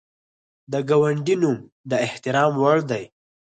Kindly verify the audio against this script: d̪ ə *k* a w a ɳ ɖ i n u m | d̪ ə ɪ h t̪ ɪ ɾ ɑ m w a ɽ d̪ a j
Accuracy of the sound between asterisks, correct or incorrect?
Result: incorrect